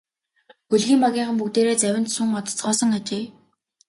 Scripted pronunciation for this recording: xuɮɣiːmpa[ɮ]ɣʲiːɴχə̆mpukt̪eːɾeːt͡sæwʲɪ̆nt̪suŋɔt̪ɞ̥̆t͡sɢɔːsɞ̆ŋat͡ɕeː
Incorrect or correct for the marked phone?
incorrect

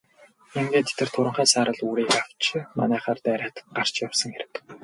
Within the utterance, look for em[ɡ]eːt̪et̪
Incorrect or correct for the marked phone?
correct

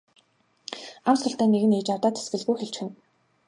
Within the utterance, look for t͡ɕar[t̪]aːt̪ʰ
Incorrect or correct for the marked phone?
correct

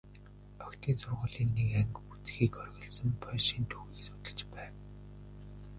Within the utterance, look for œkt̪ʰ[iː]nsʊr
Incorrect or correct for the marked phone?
correct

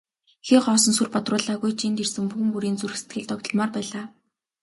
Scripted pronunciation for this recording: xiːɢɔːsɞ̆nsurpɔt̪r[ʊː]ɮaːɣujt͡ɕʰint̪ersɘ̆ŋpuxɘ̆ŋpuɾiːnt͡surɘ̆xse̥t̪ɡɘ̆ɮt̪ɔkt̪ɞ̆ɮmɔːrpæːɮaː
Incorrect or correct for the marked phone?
correct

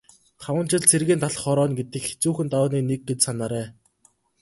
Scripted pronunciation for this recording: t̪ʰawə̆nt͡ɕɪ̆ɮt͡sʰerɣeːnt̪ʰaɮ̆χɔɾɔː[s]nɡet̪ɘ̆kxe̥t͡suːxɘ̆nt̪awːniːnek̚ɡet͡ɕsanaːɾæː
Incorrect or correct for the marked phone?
incorrect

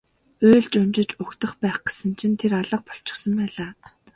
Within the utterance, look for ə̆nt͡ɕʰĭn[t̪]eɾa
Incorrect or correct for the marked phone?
incorrect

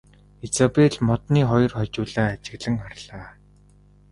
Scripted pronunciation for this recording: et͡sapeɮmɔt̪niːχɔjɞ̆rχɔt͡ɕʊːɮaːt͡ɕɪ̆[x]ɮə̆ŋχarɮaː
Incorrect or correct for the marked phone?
incorrect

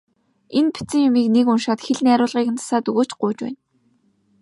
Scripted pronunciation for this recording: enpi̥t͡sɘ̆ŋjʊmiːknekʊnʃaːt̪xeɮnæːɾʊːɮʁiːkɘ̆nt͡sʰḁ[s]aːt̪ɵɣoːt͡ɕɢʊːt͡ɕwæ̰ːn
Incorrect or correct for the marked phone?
correct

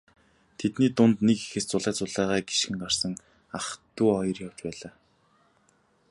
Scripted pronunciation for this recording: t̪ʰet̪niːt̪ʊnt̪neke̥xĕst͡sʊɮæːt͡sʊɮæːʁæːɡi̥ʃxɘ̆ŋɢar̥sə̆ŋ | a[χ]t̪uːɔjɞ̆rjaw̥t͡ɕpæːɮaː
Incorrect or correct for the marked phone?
correct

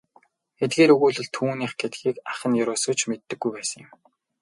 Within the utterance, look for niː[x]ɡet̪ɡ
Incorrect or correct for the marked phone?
incorrect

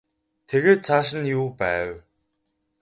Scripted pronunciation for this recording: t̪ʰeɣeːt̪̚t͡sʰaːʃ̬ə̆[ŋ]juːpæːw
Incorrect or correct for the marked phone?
incorrect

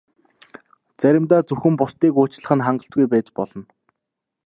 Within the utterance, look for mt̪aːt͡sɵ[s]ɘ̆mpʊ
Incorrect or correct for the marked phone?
incorrect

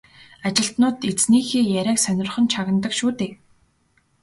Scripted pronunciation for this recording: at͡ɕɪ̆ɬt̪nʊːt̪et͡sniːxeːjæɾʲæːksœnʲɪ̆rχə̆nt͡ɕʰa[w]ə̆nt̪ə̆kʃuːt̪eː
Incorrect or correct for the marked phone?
incorrect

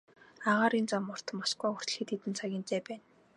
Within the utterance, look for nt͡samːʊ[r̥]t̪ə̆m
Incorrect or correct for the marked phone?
correct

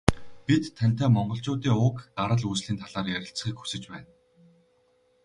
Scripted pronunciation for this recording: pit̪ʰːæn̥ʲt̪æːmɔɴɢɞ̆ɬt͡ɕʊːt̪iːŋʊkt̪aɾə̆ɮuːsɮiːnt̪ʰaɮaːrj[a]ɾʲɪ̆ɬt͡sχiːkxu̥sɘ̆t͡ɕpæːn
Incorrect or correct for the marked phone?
incorrect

